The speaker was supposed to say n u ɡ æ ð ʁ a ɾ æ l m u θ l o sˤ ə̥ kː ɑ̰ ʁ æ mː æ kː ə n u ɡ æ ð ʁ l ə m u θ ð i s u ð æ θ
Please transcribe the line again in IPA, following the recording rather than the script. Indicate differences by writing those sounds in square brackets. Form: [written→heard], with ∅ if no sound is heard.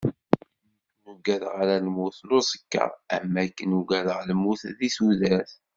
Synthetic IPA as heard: n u ɡ æ ð ʁ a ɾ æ l m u θ l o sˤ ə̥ kː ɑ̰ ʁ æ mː æ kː ə n u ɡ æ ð ʁ l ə m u θ ð i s u ð æ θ